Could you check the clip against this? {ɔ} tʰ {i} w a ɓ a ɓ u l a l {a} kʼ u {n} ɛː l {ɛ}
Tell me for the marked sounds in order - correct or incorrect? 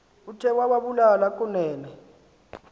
incorrect, incorrect, correct, correct, correct

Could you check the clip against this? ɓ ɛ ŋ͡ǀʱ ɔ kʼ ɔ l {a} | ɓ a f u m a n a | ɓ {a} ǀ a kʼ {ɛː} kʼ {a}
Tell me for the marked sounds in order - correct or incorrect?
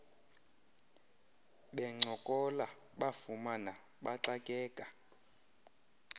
correct, correct, correct, correct

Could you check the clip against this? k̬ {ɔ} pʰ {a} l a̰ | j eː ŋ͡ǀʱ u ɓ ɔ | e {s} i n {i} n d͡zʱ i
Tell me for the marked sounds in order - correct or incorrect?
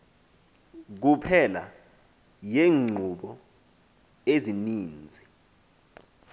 incorrect, incorrect, incorrect, incorrect

